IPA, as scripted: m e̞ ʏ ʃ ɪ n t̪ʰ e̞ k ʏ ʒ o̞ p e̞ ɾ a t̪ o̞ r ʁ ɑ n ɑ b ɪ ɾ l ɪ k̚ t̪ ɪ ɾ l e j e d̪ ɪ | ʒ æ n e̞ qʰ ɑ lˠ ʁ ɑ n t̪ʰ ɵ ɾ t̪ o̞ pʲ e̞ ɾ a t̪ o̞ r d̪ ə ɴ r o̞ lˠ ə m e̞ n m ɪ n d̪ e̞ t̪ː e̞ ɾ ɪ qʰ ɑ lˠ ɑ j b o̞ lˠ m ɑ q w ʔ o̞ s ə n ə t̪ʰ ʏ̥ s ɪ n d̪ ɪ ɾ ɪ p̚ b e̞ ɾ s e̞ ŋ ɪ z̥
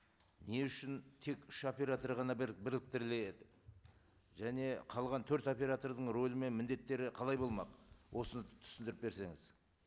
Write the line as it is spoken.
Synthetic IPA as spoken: n e̞ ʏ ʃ ɪ n t̪ʰ e̞ k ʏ ʃ o̞ p e̞ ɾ a t̪ o̞ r ʁ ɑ n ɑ b ɪ ɾ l ɪ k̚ t̪ ɪ ɾ l e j e d̪ ɪ | ʒ æ n e̞ qʰ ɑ lˠ ʁ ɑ n t̪ʰ ɵ ɾ t̪ o̞ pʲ e̞ ɾ a t̪ o̞ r d̪ ə ɴ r o̞ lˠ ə m e̞ n m ɪ n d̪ e̞ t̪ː e̞ ɾ ɪ qʰ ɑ lˠ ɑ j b o̞ lˠ m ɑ q w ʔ o̞ s ə n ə t̪ʰ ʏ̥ s ɪ n d̪ ɪ ɾ ɪ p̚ b e̞ ɾ s e̞ ŋ ɪ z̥